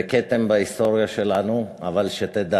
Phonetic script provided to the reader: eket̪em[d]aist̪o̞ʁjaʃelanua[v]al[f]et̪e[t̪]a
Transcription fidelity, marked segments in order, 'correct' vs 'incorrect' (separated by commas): incorrect, correct, incorrect, incorrect